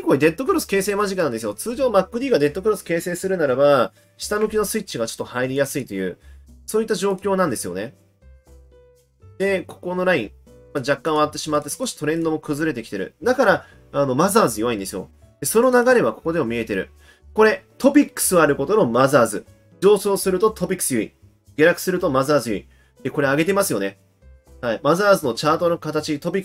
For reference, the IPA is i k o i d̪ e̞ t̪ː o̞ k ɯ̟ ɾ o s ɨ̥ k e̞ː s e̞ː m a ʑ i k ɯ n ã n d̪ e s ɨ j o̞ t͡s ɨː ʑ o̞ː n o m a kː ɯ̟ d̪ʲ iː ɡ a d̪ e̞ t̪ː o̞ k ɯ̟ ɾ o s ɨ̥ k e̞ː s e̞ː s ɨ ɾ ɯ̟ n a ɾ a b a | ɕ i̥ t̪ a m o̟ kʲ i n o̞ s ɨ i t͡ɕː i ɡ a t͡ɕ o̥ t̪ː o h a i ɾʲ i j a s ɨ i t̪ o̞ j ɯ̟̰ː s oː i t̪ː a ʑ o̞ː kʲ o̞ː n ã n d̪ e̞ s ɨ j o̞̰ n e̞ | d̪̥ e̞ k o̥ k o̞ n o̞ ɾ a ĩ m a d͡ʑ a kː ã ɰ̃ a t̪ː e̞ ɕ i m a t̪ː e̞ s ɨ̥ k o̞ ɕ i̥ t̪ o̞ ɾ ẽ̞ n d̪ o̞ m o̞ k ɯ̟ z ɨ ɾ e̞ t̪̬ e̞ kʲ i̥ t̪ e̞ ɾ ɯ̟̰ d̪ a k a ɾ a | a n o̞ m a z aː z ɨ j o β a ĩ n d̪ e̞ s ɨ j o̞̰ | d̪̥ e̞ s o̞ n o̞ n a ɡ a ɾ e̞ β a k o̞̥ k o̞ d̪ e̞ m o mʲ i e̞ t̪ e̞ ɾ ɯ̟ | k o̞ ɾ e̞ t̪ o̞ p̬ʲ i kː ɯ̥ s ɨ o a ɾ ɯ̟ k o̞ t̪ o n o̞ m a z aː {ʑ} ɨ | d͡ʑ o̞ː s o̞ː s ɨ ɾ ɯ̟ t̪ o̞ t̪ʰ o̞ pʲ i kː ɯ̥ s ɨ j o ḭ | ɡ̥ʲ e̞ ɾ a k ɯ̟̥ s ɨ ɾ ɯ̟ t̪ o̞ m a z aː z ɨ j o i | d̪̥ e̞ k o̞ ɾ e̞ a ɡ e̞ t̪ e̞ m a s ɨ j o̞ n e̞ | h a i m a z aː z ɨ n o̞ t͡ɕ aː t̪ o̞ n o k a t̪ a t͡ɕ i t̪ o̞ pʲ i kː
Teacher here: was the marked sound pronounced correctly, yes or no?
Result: no